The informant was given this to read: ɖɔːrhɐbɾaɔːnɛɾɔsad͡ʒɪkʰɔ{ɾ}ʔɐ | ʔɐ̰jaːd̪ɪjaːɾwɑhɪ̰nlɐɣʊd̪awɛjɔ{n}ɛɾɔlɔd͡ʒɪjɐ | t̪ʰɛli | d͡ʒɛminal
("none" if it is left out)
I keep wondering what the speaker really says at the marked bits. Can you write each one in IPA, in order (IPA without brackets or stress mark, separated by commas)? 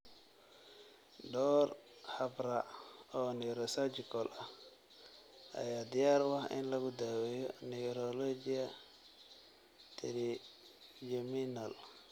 l, n